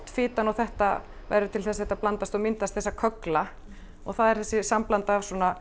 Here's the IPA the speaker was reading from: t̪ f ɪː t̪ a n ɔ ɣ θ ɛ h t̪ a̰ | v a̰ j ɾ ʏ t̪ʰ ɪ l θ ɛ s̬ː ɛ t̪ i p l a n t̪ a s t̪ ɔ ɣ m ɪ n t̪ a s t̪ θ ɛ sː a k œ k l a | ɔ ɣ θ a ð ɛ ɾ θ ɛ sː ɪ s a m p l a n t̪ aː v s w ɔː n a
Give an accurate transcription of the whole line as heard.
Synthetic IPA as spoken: t̪ f ɪː t̪ a n ɔ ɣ θ ɛ h t̪ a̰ | v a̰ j ɾ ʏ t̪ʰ ɪ l θ ɛ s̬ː ɛ t̪ a p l a n t̪ a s t̪ ɔ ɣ m ɪ n t̪ a s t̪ θ ɛ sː a kʰ œ k l a | ɔ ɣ θ a ð ɛ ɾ θ ɛ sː ɪ s a m p l a n t̪ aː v s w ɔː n a

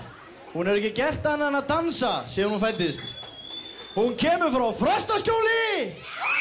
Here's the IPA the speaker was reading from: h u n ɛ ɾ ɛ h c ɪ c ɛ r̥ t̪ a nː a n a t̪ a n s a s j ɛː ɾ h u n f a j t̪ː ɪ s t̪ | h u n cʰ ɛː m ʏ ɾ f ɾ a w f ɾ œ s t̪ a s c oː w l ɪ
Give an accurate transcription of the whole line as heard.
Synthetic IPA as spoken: h u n ɛ ɾ ɛ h c ɪ c ɛ r̥ t̪ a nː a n a t̪ a n s a s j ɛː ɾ h u n f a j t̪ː ɪ s t̪ | h u n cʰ ɛː m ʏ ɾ f ɾ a w f ɾ œ s t̪ a s c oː w l ɪ

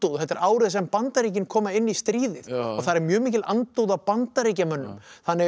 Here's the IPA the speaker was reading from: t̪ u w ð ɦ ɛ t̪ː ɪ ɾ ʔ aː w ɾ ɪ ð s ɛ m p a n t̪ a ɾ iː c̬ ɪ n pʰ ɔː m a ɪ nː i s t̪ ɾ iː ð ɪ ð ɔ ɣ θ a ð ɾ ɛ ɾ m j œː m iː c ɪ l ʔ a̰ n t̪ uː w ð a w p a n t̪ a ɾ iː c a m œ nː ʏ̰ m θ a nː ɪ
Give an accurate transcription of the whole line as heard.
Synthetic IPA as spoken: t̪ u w ð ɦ ɛ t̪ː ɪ ɾ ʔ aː w ɾ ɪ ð s ɛ m p a n t̪ a ɾ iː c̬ ɪ n kʰ ɔː m a ɪ nː i s t̪ ɾ iː ð ɪ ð ɔ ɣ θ a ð ɾ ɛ ɾ m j œː m iː c ɪ l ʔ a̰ n t̪ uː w ð a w p a n t̪ a ɾ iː c a m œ nː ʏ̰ m θ a nː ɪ

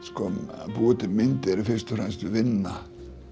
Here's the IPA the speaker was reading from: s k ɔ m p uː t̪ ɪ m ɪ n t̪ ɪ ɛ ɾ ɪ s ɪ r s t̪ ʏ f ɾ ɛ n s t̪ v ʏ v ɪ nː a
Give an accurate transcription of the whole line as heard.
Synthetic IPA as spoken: s k ɔ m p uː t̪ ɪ m ɪ n t̪ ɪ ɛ ɾ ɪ f ɪ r s t̪ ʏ f ɾ ɛ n s t̪ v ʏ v ɪ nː a

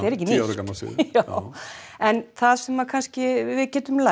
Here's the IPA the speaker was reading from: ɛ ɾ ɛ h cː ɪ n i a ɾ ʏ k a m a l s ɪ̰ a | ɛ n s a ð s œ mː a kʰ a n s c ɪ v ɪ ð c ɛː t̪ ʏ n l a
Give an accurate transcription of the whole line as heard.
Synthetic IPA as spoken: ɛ ɾ ɛ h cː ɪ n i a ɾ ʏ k a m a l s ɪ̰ a | ɛ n θ a ð s ɛ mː a kʰ a n s c ɪ v ɪ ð c ɛː t̪ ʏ m l a

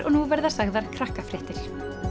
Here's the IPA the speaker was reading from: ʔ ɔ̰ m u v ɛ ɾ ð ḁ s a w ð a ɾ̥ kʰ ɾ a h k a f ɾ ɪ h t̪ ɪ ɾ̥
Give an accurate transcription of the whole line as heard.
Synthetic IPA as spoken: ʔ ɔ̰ n u v ɛ ɾ ð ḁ s a ɣ ð a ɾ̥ kʰ ɾ a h k a f ɾ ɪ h t̪ ɪ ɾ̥

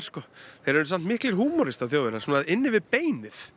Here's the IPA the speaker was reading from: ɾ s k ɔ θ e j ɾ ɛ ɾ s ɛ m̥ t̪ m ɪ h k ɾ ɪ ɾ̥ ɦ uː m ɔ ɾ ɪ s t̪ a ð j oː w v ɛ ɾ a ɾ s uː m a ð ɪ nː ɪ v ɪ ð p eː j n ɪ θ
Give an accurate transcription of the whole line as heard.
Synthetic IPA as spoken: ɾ s k ɔ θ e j ɾ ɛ ɾ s a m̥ t̪ m ɪ h k l ɪ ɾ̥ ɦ uː m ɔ ɾ ɪ s t̪ a θ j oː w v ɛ ɾ a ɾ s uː n a ð ɪ nː ɪ v ɪ ð p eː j n ɪ θ

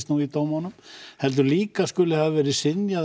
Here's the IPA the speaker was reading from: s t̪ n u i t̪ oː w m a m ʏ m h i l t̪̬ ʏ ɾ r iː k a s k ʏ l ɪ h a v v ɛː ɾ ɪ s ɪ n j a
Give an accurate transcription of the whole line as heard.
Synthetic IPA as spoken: s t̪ n u i t̪ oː w m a n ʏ m h ɛ l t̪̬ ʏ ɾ l iː k a s k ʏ l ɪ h a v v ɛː ɾ ɪ s ɪ n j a

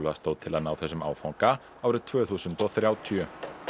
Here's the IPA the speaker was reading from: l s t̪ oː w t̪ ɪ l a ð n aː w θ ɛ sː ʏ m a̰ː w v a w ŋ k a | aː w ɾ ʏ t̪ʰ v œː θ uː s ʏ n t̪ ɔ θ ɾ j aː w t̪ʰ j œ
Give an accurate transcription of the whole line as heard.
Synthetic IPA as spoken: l s t̪ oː w t̪ʰ ɪ l a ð n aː w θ ɛ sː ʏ m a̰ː w f a w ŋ k a | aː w ɾ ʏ t̪ʰ v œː θ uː s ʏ n t̪ ɔ θ ɾ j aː w t̪ʰ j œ

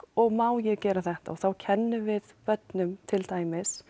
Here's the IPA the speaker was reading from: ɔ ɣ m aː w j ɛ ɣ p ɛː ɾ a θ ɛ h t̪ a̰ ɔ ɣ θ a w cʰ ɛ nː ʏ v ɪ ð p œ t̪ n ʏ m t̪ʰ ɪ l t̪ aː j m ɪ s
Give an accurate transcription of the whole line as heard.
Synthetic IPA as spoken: ɔ ɣ m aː w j ɛ ɣ c ɛː ɾ a θ ɛ h t̪ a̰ ɔ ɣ θ a w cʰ ɛ nː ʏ v ɪ ð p œ t̪ n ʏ m t̪ʰ ɪ l t̪ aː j m ɪ s

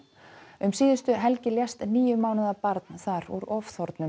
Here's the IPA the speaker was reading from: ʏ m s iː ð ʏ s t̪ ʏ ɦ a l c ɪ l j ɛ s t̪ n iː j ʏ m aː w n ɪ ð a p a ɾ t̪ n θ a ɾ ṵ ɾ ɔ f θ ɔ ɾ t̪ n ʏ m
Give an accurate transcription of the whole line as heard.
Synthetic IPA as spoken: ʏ m s iː ð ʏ s t̪ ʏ ɦ ɛ l c ɪ l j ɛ s t̪ n iː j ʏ m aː w n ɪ ð a p a ɾ t̪ n θ a ɾ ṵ ɾ ɔ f θ ɔ ɾ t̪ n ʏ m

